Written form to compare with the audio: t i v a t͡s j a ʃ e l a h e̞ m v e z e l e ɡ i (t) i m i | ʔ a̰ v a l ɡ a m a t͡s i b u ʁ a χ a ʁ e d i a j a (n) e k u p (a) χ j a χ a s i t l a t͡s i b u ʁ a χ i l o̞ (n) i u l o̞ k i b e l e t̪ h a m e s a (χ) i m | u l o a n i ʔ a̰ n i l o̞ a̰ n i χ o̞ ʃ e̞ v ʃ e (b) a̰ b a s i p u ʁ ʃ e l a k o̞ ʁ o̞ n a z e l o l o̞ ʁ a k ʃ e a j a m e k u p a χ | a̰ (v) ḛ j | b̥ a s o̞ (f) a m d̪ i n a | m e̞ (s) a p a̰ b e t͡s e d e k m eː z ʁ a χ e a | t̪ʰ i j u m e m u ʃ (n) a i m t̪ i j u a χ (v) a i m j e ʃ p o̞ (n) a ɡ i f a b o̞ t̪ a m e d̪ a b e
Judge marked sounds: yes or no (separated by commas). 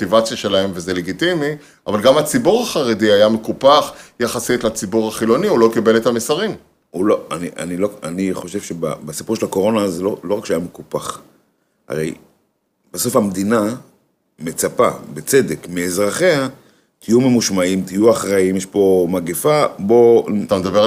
yes, no, yes, yes, no, yes, no, yes, no, no, no, no